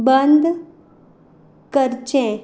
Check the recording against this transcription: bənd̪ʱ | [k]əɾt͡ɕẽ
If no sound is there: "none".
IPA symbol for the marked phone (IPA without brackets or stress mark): k